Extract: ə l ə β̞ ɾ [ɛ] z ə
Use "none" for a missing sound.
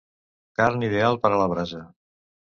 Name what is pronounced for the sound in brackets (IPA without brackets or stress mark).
a